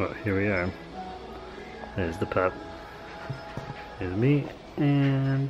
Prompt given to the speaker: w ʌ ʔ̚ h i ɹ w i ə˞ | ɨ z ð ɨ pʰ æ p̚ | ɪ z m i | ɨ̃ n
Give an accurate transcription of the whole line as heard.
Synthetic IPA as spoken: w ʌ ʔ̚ h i ɹ w i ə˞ | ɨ z ð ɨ pʰ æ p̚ | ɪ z m i | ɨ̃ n